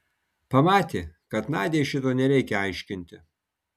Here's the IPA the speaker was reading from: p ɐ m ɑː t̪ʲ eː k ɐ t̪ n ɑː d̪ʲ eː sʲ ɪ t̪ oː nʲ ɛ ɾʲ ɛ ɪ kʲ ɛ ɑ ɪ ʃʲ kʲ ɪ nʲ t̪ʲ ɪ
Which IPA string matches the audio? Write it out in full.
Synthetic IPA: p ɐ m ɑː t̪ʲ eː k ɐ t̪ n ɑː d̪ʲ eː ʃʲ ɪ t̪ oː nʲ ɛ ɾʲ ɛ ɪ kʲ ɛ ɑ ɪ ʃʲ kʲ ɪ nʲ t̪ʲ ɪ